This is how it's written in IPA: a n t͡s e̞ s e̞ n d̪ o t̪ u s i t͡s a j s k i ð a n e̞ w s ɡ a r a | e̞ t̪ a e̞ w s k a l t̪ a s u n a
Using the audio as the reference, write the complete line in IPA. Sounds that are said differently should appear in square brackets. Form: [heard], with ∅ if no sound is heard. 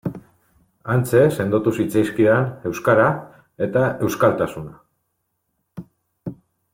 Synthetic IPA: a n t͡s e̞ s e̞ n d̪ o t̪ u s i t͡s a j s k i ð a n e̞ w s [k] a [ɾ] a | e̞ t̪ a e̞ w s k a l t̪ a s u n a

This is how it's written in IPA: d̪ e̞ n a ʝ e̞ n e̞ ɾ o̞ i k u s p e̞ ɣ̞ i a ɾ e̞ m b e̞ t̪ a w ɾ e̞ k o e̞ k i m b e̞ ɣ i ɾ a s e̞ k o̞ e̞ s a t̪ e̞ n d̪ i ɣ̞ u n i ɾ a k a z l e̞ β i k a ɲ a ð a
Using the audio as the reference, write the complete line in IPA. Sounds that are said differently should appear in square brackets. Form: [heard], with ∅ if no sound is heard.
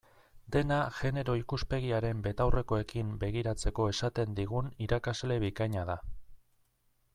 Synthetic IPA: d̪ e̞ n a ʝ e̞ n e̞ ɾ o̞ i k u s p e̞ ɣ̞ i a ɾ e̞ m b e̞ t̪ a w [r] e̞ k o e̞ k i m b e̞ ɣ i ɾ a [t͡s] e̞ k o̞ e̞ s a t̪ e̞ n d̪ i ɣ̞ u n i ɾ a k a z l e̞ β i k a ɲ a ð a

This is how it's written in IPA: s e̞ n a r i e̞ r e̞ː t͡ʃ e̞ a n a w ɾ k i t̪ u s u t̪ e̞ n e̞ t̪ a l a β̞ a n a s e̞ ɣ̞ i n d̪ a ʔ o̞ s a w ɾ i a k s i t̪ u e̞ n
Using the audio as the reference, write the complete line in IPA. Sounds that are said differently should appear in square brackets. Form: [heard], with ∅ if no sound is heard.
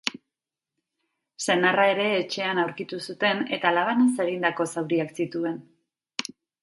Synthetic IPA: s e̞ n a r [a] e̞ [ɾ] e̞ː t͡ʃ e̞ a n a w ɾ k i t̪ u s u t̪ e̞ n e̞ t̪ a l a β̞ a n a s e̞ ɣ̞ i n d̪ a [k] o̞ s a w ɾ i a k s i t̪ u e̞ n

